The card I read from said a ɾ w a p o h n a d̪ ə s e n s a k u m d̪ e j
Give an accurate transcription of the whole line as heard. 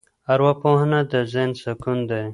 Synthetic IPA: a ɾ w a p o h n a d̪ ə z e n s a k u n d̪ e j